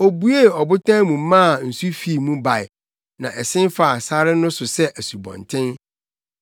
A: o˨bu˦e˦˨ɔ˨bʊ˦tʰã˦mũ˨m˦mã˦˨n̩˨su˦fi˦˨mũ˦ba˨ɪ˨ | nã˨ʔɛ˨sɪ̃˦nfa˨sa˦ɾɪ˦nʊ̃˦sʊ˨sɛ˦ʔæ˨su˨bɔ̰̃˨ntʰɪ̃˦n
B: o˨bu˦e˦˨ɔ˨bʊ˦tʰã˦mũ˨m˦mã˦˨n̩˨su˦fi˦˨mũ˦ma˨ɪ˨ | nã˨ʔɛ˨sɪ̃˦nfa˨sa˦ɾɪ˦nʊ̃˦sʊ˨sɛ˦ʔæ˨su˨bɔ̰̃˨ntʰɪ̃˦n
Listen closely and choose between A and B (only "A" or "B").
A